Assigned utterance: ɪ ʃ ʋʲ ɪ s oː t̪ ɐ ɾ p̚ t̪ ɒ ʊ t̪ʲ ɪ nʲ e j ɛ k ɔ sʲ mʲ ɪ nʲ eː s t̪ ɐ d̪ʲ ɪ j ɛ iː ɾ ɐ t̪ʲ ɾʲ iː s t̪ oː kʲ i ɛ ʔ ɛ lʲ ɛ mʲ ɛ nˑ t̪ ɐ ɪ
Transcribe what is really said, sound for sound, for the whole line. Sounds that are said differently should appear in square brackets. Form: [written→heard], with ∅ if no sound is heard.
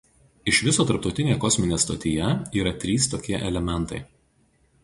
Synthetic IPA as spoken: ɪ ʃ ʋʲ ɪ s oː t̪ ɐ ɾ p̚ t̪ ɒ ʊ t̪ʲ ɪ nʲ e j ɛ k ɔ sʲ mʲ ɪ nʲ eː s t̪ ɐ [d̪ʲ→t̪ʲ] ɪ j ɛ iː ɾ ɐ t̪ʲ ɾʲ iː s t̪ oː kʲ i ɛ ʔ ɛ lʲ ɛ mʲ ɛ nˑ t̪ ɐ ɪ